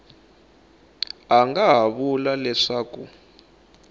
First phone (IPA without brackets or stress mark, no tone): a